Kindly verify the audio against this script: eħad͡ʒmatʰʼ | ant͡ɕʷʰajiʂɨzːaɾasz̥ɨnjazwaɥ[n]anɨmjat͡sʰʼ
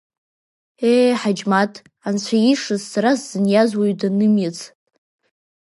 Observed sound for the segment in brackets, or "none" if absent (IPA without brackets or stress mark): d